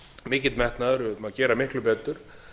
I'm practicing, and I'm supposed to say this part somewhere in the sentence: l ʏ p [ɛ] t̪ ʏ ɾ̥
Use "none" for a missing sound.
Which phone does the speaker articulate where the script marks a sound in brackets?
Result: ɛː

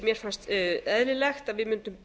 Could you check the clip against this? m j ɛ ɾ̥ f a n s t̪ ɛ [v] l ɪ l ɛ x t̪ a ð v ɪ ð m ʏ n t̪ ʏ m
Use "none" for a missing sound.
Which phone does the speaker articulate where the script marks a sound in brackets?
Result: ð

